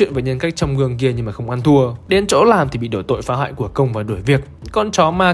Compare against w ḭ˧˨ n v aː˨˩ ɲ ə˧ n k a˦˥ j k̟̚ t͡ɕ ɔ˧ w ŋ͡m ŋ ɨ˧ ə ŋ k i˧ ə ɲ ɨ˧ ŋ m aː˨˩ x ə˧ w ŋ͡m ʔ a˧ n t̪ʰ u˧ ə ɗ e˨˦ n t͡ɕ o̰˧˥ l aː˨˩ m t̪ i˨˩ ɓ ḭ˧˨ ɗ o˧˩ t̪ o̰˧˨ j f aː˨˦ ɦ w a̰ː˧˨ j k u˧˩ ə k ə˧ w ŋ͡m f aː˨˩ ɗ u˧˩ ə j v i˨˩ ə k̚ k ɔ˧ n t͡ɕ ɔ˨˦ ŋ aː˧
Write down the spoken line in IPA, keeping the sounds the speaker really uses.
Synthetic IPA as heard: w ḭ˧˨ n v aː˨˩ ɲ ə˧ n k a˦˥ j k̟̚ t͡ɕ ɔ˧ w ŋ͡m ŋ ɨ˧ ə ŋ k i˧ ə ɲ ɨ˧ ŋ m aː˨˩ x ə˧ w ŋ͡m ʔ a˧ n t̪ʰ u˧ ə ɗ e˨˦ n t͡ɕ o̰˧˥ l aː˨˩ m t̪ i˨˩ ɓ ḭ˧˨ ɗ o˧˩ t̪ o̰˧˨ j f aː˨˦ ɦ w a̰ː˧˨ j k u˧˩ ə k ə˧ w ŋ͡m v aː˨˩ ɗ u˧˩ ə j v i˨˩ ə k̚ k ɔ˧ n t͡ɕ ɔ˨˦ m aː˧